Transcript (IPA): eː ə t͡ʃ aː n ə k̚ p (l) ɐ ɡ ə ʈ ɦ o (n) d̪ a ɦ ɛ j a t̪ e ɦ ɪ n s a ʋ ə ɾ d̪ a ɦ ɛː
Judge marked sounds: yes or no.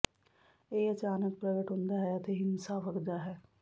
no, yes

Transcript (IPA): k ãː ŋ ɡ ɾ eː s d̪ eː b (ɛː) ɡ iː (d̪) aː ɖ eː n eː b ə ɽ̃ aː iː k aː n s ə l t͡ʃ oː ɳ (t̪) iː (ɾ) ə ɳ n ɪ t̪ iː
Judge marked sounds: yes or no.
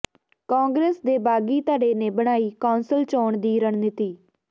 no, no, no, yes

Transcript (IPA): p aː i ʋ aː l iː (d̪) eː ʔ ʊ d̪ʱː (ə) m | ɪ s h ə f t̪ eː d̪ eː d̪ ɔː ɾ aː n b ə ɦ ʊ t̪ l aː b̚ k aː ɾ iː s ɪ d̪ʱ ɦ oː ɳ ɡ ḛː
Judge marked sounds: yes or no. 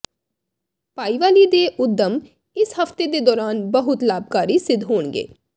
yes, yes

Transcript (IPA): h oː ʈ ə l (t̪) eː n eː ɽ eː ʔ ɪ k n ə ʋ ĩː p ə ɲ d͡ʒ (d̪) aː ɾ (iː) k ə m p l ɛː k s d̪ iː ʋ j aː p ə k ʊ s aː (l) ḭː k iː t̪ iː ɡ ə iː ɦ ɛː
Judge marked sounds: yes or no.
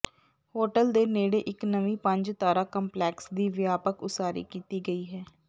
no, no, no, no

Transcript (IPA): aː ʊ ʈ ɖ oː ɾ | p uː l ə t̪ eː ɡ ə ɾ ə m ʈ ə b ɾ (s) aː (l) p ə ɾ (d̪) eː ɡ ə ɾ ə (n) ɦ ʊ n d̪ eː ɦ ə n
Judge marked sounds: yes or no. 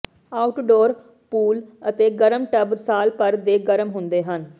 yes, yes, yes, no

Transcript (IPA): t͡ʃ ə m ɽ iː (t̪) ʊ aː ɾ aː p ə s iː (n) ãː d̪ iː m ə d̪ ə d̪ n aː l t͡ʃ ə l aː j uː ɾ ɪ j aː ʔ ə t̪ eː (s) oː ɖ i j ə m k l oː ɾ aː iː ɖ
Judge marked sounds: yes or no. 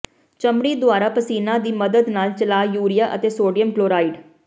no, yes, yes

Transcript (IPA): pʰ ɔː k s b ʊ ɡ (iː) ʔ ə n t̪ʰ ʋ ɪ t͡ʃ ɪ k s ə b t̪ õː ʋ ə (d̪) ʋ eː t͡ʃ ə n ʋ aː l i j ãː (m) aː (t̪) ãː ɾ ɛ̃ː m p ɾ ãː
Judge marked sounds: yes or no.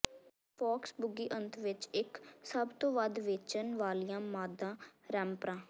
yes, yes, yes, no

